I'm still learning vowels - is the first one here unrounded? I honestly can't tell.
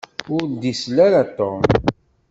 no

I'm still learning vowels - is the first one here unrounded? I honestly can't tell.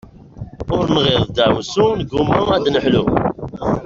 no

